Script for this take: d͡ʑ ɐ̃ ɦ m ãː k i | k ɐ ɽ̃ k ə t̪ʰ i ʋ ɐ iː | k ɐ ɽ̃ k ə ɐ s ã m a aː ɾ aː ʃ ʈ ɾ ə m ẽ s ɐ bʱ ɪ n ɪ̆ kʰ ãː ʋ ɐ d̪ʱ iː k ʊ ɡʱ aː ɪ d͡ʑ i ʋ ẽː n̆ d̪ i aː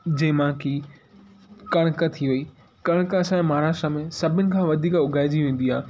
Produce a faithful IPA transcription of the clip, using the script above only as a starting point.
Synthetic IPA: d͡ʑ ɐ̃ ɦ m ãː k i | k ɐ ɽ̃ k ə t̪ʰ i ʋ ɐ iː | k ɐ ɽ̃ k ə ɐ s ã m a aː ɾ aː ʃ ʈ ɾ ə m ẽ s ɐ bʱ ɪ n ɪ̆ kʰ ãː ʋ ɐ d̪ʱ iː k ʊ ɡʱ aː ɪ d͡ʑ i ʋ ẽː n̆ d̪ i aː

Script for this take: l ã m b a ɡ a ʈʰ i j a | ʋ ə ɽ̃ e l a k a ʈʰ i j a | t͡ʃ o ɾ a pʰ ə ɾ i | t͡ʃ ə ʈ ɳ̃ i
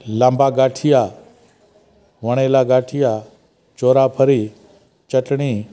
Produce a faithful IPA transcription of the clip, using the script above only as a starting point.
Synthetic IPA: l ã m b a ɡ a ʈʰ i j a | ʋ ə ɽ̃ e l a ɡ a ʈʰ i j a | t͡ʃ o ɾ a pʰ ə ɾ i | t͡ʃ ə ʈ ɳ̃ i

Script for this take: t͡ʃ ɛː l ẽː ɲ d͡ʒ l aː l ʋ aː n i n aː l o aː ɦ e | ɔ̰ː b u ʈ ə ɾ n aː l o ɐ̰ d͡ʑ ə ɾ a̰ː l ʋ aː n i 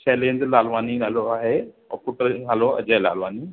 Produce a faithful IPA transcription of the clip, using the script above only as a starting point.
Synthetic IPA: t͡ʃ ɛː l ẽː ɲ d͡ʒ l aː l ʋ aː n i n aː l o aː ɦ e | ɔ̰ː p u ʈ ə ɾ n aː l o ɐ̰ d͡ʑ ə l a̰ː l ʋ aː n i

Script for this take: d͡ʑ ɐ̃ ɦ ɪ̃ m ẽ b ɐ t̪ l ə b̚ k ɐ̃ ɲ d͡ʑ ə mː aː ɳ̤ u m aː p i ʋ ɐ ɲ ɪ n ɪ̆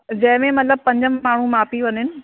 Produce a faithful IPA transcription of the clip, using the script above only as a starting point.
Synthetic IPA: d͡ʑ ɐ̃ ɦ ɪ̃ m ẽ m ɐ t̪ l ə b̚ p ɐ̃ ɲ d͡ʑ ə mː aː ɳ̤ u m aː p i ʋ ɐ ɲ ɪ n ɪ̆

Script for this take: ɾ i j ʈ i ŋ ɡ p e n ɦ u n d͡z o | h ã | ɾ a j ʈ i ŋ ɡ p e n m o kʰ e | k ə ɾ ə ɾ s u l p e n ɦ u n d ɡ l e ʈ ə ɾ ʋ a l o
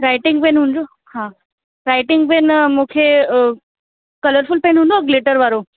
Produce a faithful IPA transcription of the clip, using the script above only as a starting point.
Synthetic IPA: ɾ a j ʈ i ŋ ɡ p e n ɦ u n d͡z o | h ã | ɾ a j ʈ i ŋ ɡ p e n m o kʰ e | k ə l ə ɾ f u l p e n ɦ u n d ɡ l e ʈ ə ɾ ʋ a ɾ o

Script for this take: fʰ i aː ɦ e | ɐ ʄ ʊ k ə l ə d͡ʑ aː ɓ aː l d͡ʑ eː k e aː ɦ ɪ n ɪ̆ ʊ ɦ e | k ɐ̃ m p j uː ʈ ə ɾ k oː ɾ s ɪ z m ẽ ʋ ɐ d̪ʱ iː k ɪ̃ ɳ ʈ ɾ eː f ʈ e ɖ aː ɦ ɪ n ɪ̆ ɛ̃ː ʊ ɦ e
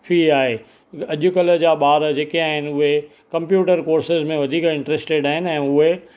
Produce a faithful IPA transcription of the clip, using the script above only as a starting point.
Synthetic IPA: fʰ i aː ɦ e | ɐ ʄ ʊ k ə l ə d͡ʑ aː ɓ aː ɾ d͡ʑ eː k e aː ɦ ɪ n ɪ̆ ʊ ɦ e | k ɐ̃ m p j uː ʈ ə ɾ k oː ɾ s ɪ z m ẽ ʋ ɐ d̪ʱ iː k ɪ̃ ɳ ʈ ɾ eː s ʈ e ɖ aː ɦ ɪ n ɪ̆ ɛ̃ː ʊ ɦ e

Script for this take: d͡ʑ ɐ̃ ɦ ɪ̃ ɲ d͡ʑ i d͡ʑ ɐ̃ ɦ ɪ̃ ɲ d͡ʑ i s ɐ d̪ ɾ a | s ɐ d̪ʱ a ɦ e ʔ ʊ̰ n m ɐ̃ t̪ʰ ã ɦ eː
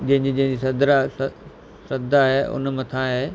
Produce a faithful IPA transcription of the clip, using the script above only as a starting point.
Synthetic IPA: d͡ʑ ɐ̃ ɦ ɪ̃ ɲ d͡ʑ i d͡ʑ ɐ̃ ɦ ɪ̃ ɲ d͡ʑ i s ɐ d̪ ɾ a | s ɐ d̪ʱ a ɦ e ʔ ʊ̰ n m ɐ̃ t̪ʰ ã ɦ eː

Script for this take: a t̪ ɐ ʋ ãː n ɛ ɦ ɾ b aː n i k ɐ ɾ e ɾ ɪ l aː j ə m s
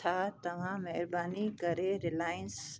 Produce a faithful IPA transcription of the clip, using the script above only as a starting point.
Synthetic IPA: a t̪ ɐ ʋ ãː m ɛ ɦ ɾ b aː n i k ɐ ɾ e ɾ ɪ l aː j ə n s

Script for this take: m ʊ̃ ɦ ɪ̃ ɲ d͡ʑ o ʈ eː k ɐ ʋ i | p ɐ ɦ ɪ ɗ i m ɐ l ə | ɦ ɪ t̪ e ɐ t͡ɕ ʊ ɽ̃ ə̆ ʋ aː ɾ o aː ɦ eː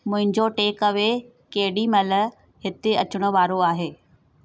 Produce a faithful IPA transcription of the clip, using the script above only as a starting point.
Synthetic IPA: m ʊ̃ ɦ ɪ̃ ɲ d͡ʑ o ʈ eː k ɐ ʋ e | k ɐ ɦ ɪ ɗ i m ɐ l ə | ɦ ɪ t̪ e ɐ t͡ɕ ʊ ɽ̃ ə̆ ʋ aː ɾ o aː ɦ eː

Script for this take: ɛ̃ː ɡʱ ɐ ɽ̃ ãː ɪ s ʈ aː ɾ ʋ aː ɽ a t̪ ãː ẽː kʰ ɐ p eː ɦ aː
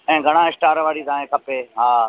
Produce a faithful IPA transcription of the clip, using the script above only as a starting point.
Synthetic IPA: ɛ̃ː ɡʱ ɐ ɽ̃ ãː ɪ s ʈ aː ɾ ʋ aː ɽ i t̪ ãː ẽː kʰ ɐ p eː ɦ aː

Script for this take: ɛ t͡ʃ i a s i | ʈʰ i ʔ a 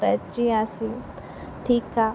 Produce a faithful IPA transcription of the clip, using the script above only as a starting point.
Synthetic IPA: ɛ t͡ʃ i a s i | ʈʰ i k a

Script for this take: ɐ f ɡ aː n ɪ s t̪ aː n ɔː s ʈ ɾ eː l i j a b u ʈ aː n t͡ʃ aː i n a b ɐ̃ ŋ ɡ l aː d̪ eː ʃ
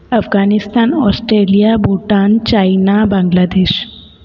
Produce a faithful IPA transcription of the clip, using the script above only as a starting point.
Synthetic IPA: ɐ f ɡ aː n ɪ s t̪ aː n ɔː s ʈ ɾ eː l i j a b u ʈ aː n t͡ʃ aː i n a b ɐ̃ ŋ ɡ l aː d̪ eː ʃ

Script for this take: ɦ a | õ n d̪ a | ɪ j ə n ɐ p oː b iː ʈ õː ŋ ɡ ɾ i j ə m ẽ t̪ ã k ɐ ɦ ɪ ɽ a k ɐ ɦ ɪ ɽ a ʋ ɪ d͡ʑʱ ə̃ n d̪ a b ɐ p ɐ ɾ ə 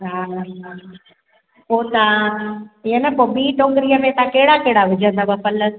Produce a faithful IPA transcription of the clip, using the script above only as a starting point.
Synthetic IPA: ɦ a | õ n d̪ a | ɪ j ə n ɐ p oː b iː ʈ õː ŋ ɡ ɾ i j ə m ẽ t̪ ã k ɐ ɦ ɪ ɽ a k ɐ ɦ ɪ ɽ a ʋ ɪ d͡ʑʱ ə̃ n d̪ a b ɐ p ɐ l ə

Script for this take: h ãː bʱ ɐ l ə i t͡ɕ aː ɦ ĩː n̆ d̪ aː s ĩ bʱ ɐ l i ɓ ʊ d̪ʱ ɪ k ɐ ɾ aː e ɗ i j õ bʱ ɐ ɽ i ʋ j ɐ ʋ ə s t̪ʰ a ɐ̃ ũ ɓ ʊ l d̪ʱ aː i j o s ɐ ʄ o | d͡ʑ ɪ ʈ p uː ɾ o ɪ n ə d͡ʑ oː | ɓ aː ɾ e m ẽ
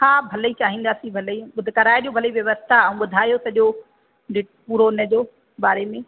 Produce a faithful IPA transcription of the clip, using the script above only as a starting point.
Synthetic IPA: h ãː bʱ ɐ l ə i t͡ɕ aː ɦ ĩː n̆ d̪ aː s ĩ bʱ ɐ l i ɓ ʊ d̪ʱ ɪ k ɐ ɾ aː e ɗ i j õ bʱ ɐ l i ʋ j ɐ ʋ ə s t̪ʰ a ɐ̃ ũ ɓ ʊ d̪ʱ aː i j o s ɐ ʄ o | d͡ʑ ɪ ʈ p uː ɾ o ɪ n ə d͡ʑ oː | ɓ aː ɾ e m ẽ

